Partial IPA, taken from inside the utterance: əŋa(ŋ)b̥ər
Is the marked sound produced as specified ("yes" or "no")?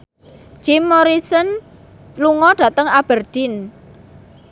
no